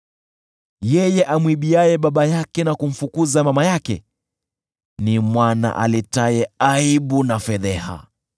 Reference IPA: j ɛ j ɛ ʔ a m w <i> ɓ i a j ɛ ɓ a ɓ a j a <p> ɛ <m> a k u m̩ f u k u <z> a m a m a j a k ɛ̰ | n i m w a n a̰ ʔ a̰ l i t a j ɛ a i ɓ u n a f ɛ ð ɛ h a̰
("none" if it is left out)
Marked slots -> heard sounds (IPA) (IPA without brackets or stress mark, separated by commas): i, k, n, z